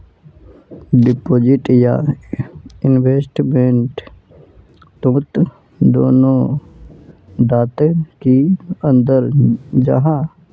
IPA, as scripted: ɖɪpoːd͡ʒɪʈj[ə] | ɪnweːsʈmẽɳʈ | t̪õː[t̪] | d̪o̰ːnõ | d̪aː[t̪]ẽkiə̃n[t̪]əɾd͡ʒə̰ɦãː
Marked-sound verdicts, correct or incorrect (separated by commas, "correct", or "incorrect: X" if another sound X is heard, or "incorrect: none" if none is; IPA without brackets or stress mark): incorrect: a, correct, correct, incorrect: d̪